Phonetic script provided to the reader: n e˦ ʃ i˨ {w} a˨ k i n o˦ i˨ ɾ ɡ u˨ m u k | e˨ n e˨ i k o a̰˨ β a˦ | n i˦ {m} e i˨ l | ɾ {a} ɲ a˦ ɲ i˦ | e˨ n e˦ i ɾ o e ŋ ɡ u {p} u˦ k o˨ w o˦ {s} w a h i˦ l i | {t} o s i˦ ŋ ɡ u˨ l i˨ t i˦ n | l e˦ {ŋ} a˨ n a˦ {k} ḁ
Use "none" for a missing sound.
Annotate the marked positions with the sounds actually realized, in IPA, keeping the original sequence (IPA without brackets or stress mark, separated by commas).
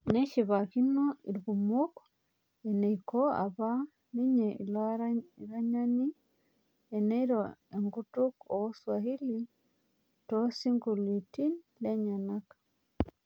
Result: β, ɲ, a, t, s, t, ɲ, k